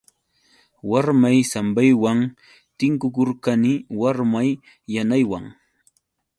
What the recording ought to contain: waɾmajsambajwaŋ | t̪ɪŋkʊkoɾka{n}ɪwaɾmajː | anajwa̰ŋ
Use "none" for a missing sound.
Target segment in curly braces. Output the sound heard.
n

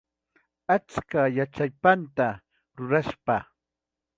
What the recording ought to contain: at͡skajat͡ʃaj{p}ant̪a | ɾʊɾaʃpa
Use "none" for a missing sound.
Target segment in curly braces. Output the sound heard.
p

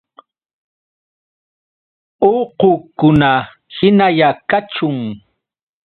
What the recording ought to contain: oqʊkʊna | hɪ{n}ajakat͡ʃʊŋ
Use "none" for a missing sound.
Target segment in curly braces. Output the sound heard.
n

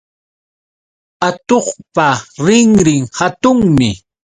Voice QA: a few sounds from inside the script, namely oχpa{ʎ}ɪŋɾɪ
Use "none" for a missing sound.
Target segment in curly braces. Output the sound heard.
ɾ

